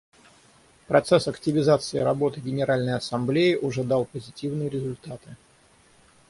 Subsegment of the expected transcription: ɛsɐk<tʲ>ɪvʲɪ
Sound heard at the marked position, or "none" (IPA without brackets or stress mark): tʲ